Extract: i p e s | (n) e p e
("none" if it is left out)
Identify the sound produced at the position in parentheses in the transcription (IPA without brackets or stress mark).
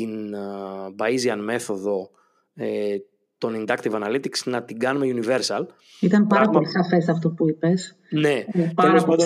n